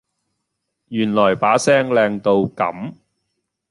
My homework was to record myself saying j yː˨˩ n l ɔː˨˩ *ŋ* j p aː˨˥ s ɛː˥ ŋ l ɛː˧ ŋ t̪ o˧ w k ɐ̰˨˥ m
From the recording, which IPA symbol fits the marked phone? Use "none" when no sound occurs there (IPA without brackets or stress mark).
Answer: none